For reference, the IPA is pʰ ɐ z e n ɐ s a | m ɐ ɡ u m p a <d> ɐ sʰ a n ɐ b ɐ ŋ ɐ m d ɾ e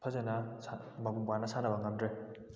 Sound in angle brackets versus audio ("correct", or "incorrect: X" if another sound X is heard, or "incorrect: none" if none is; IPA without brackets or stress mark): incorrect: n